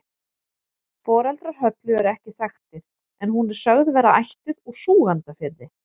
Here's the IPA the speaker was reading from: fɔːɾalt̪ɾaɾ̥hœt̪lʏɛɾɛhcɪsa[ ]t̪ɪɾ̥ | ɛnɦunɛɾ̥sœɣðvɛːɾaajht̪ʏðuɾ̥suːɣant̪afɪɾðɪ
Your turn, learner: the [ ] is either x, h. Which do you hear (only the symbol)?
x